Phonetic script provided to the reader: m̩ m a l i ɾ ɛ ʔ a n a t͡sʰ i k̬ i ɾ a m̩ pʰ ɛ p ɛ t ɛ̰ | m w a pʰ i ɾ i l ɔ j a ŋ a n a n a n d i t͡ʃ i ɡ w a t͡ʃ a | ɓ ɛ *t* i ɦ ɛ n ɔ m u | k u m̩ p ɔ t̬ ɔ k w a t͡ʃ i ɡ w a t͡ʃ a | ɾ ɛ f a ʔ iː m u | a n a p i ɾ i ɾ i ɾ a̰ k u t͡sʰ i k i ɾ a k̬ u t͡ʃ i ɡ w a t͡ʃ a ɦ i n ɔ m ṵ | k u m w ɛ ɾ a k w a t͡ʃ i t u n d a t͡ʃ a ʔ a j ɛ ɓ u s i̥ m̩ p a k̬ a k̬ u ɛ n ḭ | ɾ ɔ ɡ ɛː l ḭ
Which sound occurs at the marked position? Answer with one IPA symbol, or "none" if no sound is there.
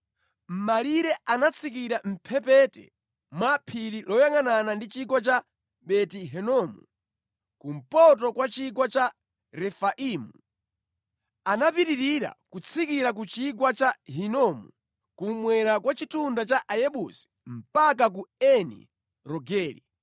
t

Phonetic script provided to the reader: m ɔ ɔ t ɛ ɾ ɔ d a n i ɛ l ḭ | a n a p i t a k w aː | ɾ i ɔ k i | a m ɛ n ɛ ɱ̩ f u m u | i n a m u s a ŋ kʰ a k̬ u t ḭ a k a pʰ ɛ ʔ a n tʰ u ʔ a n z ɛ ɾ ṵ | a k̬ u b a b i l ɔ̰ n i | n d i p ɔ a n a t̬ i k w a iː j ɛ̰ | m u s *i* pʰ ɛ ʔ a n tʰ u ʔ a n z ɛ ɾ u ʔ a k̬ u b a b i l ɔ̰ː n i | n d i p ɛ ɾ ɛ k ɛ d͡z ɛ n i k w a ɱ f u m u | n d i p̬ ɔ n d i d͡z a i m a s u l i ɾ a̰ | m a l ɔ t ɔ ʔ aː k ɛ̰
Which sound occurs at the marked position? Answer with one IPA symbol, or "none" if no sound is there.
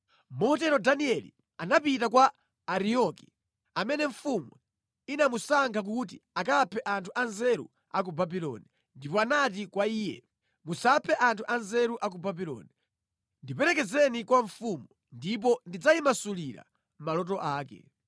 a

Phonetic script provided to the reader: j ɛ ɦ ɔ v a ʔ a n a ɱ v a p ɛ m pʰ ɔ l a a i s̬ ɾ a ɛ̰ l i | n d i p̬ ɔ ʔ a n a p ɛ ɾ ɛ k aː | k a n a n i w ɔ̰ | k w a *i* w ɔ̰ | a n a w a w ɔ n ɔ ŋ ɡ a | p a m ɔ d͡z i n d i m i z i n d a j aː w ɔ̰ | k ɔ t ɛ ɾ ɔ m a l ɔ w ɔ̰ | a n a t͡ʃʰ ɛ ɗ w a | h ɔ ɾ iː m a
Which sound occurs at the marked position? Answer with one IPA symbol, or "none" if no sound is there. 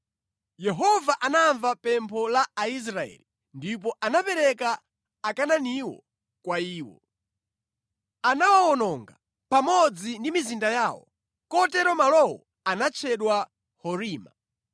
iː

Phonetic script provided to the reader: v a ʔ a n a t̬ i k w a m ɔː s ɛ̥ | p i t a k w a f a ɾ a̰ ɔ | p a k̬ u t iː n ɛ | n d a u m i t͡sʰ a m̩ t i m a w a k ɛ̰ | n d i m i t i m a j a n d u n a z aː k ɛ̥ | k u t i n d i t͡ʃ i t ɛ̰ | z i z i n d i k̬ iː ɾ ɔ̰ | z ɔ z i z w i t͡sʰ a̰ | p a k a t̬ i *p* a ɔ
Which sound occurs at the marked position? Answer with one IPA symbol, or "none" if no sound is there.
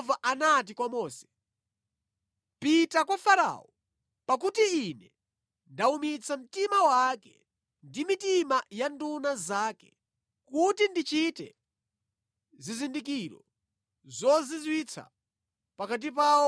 p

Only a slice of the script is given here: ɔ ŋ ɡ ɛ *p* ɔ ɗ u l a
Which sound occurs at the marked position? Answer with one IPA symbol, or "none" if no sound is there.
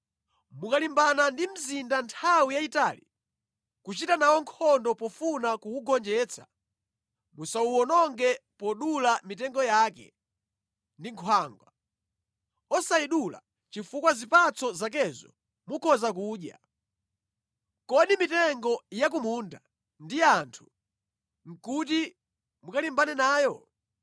p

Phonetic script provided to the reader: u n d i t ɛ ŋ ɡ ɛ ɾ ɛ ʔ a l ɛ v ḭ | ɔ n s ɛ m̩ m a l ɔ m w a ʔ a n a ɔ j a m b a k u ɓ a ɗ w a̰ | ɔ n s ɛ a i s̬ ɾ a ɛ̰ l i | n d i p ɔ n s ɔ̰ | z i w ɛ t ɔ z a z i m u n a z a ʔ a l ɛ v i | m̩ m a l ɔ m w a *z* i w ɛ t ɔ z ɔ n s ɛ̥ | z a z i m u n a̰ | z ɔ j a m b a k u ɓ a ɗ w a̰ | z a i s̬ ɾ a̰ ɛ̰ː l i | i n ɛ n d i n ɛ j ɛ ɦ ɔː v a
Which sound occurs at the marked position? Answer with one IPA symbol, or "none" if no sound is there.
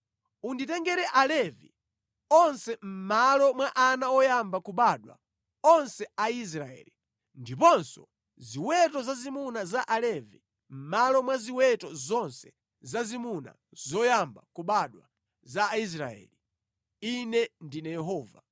z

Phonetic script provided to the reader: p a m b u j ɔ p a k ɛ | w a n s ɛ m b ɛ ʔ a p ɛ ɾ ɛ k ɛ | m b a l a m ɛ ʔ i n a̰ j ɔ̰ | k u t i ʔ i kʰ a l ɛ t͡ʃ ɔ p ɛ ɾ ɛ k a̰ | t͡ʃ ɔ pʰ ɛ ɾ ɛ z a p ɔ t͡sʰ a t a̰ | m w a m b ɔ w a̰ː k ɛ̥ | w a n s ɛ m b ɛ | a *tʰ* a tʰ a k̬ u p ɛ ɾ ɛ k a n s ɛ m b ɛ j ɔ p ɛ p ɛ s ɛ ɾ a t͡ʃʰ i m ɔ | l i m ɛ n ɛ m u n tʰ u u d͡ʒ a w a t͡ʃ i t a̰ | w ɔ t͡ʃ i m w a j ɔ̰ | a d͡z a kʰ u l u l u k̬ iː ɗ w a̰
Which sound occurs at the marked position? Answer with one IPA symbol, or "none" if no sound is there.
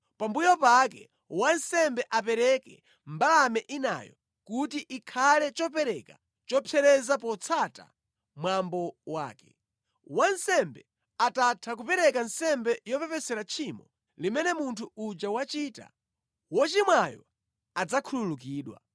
t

